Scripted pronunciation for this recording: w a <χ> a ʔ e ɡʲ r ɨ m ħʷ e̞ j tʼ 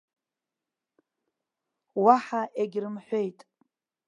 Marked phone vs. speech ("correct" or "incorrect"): incorrect